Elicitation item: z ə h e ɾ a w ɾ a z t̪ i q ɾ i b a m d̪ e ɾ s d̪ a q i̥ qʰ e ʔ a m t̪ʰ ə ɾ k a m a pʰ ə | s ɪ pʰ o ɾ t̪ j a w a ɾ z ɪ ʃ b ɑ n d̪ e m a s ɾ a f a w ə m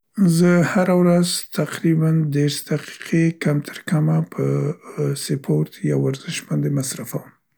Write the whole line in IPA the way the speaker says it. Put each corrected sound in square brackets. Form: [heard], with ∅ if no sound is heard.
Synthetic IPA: z ə h [a] ɾ a w ɾ a z t̪ [a] q ɾ i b a [n] d̪ e ɾ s d̪ a q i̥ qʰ e [k] a m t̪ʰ ə ɾ k a m a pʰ ə | s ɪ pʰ o ɾ t̪ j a w a ɾ z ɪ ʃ b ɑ n d̪ e m a s ɾ a f a w ə m

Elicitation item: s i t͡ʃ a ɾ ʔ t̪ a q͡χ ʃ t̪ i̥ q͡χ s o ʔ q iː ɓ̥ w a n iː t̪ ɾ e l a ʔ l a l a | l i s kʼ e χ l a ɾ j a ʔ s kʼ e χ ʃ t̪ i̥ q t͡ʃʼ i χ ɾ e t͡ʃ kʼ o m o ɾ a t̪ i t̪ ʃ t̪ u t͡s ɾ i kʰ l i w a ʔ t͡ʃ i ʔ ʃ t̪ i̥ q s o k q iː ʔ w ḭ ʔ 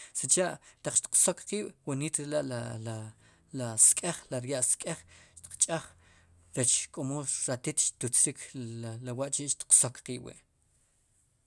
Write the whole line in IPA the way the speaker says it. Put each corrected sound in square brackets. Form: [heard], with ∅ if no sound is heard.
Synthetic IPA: s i t͡ʃ a [∅] ʔ t̪ a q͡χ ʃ t̪ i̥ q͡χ s o [k] q iː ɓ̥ w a n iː t̪ ɾ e l a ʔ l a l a | l [a] s kʼ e χ l a ɾ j a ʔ s kʼ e χ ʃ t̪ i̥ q t͡ʃʼ [a] χ ɾ e t͡ʃ kʼ o m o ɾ a t̪ i t̪ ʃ t̪ u t͡s ɾ i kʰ l [a] w a ʔ t͡ʃ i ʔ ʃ t̪ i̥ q s o k q iː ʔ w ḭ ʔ

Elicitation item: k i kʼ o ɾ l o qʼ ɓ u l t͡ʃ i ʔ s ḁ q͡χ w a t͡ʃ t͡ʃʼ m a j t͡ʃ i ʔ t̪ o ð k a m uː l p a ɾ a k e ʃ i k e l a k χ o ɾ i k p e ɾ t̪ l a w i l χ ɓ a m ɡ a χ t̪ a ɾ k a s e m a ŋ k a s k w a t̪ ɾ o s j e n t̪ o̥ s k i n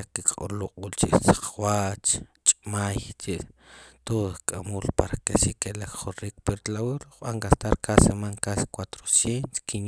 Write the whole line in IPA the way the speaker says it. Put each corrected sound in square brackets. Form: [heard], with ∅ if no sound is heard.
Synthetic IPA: k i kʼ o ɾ l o qʼ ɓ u l t͡ʃ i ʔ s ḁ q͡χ w a t͡ʃ t͡ʃʼ m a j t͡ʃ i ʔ t̪ o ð [kʼ] a m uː l p a ɾ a k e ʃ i k e l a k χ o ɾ i k p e ɾ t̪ l a w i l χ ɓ a [ŋ] ɡ a [s] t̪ a ɾ k a s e m a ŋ k a s k w a t̪ ɾ o s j e n t̪ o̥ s k i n

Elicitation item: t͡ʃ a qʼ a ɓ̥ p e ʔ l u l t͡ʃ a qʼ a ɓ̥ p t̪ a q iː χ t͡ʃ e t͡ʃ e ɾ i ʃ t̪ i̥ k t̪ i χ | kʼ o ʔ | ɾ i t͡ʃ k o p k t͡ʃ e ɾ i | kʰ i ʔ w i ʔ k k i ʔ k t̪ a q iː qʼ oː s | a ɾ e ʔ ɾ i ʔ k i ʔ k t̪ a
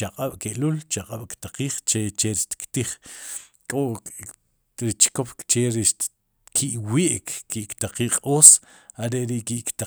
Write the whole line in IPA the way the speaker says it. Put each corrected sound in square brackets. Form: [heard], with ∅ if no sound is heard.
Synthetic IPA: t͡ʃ a qʼ a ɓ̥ [k] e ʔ l u l t͡ʃ a qʼ a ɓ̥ [k] t̪ a q iː χ t͡ʃ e t͡ʃ e ɾ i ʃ t̪ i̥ k t̪ i χ | kʼ o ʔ | ɾ i t͡ʃ k o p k t͡ʃ e ɾ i | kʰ i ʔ w i ʔ k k i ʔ k t̪ a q iː qʼ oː s | a ɾ e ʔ ɾ i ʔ k i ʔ k t̪ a

